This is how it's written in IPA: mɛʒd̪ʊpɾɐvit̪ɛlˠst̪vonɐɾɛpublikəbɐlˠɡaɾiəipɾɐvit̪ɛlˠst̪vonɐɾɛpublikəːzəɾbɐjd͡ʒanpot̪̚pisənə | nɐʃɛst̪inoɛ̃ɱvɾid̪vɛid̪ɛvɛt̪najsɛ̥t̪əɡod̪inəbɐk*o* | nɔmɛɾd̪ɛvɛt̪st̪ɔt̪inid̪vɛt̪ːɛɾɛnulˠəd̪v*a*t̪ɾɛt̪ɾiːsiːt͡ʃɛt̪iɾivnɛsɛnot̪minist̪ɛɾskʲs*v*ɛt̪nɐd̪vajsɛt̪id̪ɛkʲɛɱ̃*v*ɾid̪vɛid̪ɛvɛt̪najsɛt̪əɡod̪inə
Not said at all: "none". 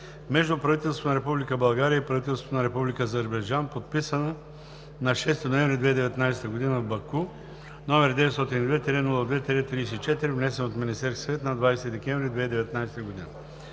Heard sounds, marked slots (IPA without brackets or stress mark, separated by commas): u, ɛ, v, v